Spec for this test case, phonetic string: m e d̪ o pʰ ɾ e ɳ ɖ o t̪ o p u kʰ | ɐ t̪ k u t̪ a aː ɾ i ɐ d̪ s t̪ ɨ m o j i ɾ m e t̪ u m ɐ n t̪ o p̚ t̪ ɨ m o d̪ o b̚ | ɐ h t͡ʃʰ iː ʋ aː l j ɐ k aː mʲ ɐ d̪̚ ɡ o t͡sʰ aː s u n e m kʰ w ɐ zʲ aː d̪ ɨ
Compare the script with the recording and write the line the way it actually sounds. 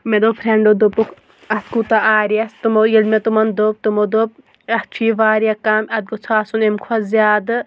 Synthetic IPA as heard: m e d̪ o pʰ ɾ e ɳ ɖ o d̪ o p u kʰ | ɐ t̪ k u t̪ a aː ɾ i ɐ s t̪ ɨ m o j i l m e t̪ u m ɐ n d̪ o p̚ t̪ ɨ m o d̪ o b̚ | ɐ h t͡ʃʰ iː ʋ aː ɾ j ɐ k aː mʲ ɐ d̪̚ ɡ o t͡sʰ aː s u n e m kʰ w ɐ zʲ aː d̪ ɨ